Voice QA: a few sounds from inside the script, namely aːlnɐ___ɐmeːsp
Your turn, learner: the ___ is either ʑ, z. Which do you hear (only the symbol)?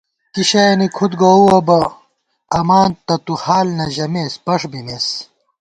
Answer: ʑ